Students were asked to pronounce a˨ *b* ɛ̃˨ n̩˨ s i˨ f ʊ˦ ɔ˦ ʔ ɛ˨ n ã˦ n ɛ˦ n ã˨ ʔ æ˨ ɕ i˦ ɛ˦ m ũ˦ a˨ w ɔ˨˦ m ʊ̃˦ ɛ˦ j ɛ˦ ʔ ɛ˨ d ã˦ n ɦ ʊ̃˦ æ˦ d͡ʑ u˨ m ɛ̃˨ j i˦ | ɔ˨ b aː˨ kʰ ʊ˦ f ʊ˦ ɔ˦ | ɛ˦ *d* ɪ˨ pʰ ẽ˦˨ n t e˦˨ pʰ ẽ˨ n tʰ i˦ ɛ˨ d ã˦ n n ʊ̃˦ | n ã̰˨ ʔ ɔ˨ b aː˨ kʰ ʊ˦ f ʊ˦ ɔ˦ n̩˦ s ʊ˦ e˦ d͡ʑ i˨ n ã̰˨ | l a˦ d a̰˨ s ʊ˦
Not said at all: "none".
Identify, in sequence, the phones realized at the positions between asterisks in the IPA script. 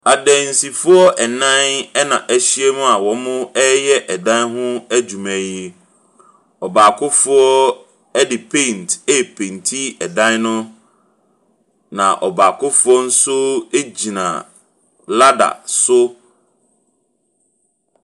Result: d, d

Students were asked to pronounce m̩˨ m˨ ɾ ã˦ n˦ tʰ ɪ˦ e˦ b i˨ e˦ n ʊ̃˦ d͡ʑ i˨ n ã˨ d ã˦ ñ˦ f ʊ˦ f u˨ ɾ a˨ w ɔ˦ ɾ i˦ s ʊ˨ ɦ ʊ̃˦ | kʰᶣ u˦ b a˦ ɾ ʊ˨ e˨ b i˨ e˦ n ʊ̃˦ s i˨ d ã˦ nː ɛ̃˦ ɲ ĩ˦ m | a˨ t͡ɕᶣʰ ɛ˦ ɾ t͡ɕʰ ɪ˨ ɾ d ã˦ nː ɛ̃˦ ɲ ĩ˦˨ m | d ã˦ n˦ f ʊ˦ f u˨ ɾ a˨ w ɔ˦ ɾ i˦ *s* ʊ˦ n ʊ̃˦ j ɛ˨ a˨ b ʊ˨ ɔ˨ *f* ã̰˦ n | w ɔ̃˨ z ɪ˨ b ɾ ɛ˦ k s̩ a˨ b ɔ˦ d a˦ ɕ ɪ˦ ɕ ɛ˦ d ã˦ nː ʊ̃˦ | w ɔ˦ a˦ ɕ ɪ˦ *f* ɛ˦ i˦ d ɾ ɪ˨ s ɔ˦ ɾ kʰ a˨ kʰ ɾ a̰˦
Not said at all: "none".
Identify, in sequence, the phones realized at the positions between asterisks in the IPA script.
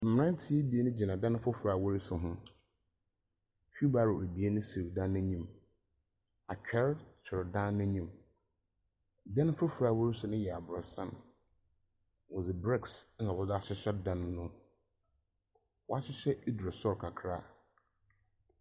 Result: s, s, ɕ

